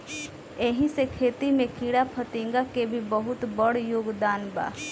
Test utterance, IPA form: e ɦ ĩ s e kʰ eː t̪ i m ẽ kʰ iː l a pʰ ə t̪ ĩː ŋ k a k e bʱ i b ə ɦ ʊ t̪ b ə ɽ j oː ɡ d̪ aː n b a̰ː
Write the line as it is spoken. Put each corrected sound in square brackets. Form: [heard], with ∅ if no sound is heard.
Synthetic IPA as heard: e ɦ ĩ s e kʰ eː t̪ i m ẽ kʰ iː [ɽ] a pʰ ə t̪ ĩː ŋ [ɡ] a k e bʱ i b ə ɦ ʊ t̪ b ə ɽ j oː ɡ d̪ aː n b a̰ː